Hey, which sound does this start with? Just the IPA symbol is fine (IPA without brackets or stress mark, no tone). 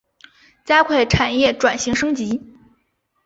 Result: t͡ɕ